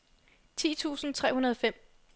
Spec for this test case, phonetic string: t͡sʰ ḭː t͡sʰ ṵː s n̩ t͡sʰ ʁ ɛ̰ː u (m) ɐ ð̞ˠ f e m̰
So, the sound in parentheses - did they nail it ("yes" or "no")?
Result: no